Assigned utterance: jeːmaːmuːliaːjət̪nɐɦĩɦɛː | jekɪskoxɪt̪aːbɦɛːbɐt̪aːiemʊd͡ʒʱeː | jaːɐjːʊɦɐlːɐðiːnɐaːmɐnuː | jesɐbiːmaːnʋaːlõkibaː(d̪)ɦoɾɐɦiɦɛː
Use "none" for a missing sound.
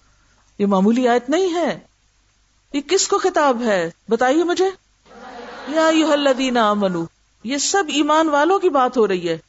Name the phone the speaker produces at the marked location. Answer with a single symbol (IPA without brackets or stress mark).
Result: t̪